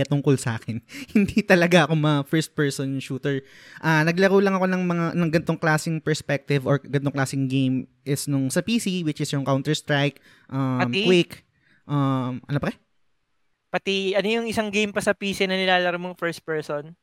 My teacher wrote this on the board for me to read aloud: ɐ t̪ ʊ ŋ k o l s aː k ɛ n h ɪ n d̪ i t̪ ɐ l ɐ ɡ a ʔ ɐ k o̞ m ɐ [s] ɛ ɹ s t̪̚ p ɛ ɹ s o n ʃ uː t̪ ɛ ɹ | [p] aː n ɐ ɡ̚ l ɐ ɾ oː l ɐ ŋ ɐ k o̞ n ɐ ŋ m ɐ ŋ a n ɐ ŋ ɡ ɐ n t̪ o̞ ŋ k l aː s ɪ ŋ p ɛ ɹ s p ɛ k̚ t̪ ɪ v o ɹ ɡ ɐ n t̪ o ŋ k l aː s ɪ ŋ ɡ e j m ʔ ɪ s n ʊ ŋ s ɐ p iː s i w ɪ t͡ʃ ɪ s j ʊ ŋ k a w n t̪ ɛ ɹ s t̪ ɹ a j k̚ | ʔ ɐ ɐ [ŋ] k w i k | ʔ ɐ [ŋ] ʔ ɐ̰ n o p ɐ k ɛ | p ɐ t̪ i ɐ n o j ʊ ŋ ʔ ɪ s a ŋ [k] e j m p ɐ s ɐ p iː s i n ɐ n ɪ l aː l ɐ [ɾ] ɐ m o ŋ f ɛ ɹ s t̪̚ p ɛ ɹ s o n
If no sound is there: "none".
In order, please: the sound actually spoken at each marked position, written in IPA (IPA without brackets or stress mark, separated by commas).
f, ʔ, m, m, ɡ, ɾ